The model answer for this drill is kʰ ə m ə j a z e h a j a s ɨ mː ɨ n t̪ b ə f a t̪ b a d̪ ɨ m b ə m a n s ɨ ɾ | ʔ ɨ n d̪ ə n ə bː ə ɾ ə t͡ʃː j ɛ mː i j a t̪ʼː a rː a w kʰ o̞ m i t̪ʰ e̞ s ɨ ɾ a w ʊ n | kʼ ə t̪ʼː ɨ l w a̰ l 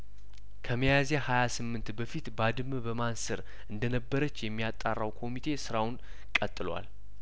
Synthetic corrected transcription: kʰ ə m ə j a z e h a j a s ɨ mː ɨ n t̪ b ə f i t̪ b a d̪ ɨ m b ə m a n s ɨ ɾ | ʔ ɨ n d̪ ə n ə bː ə ɾ ə t͡ʃː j ɛ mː i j a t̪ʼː a rː a w kʰ o̞ m i t̪ʰ e̞ s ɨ ɾ a w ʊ n | kʼ ə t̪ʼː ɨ l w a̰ l